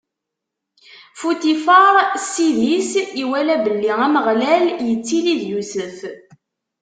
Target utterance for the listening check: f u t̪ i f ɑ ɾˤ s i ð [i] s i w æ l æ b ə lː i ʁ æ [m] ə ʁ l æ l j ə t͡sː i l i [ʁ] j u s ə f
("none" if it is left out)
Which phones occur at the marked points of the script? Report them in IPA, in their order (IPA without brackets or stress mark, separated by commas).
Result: i, m, ð